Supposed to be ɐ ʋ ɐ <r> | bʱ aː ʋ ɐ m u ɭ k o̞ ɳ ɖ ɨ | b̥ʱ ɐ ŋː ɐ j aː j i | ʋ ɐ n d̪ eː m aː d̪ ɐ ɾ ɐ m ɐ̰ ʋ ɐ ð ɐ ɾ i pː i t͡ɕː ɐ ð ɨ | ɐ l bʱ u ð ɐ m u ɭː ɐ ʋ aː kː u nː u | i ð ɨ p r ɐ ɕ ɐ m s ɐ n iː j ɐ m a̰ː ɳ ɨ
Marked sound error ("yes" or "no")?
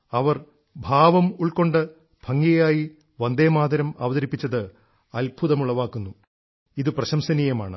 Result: no